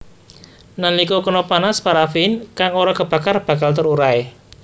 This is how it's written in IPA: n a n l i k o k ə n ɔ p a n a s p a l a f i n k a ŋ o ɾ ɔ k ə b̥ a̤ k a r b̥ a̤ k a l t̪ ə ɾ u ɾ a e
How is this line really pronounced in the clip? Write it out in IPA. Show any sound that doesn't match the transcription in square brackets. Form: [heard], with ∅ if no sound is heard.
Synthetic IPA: n a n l i k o k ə n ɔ p a n a s p a [ɾ] a f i n k a ŋ o ɾ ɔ k ə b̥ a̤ k a r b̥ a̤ k a l t̪ ə ɾ u ɾ a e

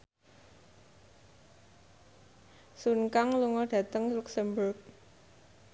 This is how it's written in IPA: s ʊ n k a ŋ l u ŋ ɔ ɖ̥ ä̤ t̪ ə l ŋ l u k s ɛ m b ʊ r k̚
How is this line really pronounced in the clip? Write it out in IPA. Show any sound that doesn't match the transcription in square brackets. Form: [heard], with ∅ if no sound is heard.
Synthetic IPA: s [u] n k a ŋ l u ŋ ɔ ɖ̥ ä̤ t̪ ə [∅] ŋ l u k s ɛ m b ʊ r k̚

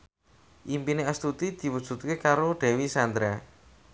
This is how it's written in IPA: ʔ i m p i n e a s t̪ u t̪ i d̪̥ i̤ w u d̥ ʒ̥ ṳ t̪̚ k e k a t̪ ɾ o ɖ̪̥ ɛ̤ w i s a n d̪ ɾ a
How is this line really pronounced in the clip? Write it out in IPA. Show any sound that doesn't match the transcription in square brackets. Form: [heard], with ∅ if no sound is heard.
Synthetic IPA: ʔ i m p i n e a s t̪ u t̪ i d̪̥ i̤ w u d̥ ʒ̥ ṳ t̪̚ k e k a [∅] ɾ o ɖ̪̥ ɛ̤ w i s a n d̪ ɾ a

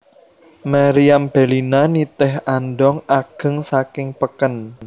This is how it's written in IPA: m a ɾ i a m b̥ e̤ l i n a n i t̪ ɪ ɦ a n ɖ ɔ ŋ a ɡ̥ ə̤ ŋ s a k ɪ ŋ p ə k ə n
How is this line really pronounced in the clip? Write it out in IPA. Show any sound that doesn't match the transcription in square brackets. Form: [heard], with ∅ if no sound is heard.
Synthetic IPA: m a ɾ i a m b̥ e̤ l i n a n i t̪ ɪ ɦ a n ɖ ɔ ŋ a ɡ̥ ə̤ ŋ s a k ɪ ŋ p ə k ə n

